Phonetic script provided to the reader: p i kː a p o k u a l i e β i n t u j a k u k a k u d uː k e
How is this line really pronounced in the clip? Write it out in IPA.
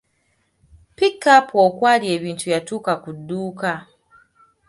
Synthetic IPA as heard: p i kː a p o k w a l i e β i n t u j a t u k a k u d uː k a